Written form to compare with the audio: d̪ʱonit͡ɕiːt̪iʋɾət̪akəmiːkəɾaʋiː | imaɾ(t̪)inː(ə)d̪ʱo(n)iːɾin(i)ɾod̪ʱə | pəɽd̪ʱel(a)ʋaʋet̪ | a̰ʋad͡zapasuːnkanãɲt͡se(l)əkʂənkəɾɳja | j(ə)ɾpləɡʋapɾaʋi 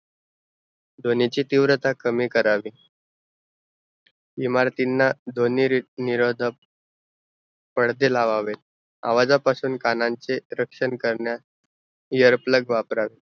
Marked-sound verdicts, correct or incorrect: correct, incorrect, correct, correct, correct, incorrect, correct

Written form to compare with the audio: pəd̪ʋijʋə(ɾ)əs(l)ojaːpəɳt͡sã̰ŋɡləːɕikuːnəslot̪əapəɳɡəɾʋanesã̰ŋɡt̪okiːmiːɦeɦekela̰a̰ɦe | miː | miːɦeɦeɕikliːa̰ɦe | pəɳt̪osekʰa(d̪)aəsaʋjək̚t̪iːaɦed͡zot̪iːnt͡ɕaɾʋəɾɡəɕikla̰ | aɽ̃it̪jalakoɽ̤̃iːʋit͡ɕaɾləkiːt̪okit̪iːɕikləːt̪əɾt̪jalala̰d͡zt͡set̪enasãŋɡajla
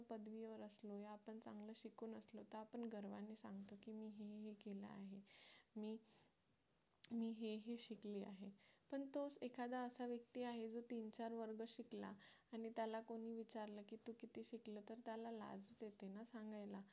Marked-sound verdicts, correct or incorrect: correct, correct, correct

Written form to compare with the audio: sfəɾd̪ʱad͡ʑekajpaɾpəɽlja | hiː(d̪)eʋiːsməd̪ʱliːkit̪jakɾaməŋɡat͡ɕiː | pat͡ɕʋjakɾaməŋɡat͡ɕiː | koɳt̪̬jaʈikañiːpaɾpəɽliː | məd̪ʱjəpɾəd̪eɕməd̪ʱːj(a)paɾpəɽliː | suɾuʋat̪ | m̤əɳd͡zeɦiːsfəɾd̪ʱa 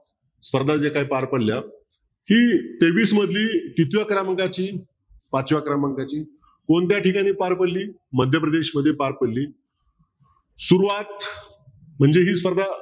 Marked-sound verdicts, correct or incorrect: incorrect, incorrect

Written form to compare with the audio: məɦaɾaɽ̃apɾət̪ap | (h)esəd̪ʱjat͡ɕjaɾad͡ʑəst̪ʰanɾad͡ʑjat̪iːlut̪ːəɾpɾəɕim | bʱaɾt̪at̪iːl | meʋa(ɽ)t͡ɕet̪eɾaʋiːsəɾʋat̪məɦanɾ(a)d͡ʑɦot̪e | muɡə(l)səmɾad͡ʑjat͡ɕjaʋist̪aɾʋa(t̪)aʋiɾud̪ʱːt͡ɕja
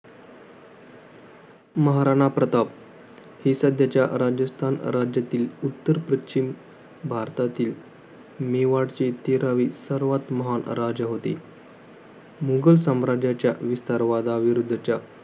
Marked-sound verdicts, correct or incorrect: correct, correct, correct, correct, incorrect

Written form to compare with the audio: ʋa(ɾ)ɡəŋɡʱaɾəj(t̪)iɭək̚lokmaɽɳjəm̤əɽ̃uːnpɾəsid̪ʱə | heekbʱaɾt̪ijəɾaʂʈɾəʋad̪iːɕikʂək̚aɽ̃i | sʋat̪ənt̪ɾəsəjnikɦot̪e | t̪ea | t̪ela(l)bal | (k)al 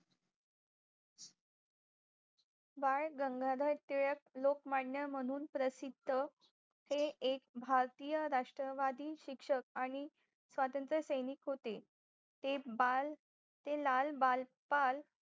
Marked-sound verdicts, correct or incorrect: incorrect, correct, correct, incorrect

